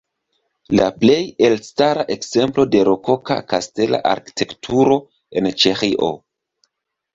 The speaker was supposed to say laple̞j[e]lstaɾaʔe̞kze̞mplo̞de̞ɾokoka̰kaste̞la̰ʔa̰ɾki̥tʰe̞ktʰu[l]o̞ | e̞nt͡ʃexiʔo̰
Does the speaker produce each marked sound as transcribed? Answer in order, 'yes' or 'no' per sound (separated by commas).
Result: yes, no